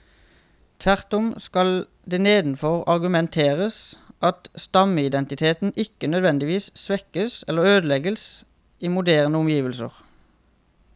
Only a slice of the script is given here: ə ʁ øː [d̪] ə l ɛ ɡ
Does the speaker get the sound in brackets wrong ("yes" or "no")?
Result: no